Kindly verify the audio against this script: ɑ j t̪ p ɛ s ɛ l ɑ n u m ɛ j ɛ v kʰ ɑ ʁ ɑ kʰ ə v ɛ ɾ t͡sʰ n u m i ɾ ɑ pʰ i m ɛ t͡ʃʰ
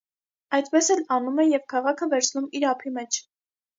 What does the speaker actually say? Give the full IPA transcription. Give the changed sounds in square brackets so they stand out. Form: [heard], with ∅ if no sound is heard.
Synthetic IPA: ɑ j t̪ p ɛ s ɛ l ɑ n u m ɛ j ɛ v kʰ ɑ ʁ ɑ kʰ ə v ɛ ɾ t͡sʰ n u m i ɾ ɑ pʰ i m ɛ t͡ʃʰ